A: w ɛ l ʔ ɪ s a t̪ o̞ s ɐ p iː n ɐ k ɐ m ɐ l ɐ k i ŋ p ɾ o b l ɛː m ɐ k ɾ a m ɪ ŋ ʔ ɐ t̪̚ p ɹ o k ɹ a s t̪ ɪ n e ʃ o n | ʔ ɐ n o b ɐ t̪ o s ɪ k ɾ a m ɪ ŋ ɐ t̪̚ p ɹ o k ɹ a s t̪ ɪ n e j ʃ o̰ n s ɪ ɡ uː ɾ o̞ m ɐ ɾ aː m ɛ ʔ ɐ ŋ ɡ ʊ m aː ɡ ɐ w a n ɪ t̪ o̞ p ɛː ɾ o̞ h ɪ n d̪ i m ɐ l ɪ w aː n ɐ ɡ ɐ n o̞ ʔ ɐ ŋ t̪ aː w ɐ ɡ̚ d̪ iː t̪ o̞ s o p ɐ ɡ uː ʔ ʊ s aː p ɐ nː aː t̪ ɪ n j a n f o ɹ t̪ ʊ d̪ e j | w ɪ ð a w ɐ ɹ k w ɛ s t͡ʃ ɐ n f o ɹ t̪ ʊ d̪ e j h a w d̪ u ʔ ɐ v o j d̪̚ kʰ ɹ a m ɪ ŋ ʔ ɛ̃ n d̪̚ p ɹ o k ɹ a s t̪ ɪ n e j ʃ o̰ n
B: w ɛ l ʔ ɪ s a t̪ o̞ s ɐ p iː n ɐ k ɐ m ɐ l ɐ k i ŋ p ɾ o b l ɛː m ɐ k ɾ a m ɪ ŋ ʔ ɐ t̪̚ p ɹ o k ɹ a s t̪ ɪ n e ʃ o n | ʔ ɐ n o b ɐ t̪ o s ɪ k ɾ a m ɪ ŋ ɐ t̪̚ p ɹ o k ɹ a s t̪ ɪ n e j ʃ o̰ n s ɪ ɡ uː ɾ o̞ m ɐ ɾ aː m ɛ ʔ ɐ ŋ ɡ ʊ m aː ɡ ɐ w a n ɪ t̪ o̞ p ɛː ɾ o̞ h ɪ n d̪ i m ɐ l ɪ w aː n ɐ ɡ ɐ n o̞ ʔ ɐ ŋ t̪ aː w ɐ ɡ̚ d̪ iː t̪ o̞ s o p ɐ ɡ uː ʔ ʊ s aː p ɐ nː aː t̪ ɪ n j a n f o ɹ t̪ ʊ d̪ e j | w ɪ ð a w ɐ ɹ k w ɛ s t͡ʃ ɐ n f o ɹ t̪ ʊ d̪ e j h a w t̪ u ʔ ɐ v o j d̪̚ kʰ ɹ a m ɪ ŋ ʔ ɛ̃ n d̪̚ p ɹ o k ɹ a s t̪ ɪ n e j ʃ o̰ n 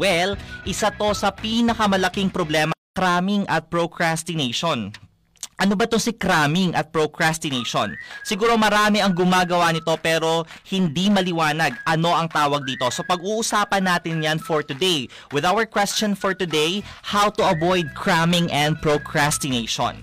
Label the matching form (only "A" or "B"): B